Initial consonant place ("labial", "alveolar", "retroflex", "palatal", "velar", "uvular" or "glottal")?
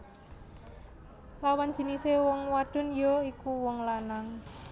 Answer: alveolar